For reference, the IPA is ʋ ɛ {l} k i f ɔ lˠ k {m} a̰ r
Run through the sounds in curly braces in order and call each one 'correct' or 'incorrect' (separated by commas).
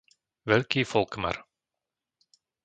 correct, correct